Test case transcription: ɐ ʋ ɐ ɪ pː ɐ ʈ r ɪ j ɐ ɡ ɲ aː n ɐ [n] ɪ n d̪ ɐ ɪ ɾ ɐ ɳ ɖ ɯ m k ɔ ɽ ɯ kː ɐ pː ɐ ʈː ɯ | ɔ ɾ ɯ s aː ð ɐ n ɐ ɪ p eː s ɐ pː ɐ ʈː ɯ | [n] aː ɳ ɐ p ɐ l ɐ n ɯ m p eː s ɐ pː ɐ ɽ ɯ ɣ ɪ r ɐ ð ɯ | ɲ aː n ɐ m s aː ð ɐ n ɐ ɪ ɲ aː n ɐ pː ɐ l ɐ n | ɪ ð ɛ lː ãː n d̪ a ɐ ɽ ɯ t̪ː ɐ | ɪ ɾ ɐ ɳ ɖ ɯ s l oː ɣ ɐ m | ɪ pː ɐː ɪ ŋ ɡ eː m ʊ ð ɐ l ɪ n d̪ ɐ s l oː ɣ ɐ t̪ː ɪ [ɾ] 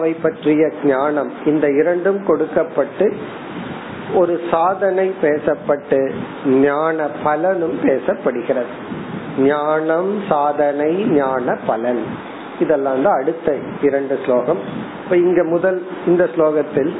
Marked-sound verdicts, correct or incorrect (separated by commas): incorrect, incorrect, incorrect